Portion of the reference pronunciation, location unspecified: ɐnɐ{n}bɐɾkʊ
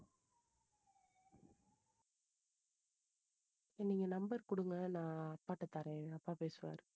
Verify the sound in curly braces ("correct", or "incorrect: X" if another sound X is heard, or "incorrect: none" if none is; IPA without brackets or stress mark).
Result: incorrect: m